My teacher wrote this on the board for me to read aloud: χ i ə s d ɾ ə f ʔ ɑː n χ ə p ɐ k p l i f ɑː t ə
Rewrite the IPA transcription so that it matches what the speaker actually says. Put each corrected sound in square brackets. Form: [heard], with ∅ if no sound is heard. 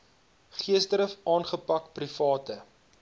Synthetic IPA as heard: χ i ə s d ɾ ə f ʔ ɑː n χ ə p ɐ k p [r] i f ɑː t ə